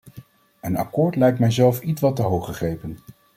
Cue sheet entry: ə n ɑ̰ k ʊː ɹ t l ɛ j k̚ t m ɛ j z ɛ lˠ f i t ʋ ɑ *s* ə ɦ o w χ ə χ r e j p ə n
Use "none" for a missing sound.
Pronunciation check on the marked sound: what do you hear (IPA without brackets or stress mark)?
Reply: t